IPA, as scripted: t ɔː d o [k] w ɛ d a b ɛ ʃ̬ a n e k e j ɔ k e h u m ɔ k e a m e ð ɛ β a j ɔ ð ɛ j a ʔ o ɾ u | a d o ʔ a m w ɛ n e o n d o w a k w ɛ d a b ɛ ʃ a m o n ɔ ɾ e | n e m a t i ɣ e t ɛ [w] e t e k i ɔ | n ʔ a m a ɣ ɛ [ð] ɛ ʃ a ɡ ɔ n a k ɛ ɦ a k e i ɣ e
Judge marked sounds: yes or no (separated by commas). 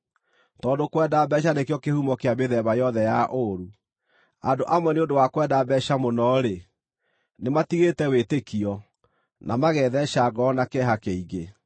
yes, yes, yes